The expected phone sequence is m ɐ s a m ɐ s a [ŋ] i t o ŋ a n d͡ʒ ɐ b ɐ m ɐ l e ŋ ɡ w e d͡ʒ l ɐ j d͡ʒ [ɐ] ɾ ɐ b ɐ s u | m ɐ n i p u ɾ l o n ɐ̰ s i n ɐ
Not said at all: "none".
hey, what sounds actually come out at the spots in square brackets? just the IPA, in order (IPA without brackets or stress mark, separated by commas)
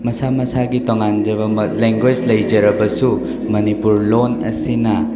ɡ, ɐ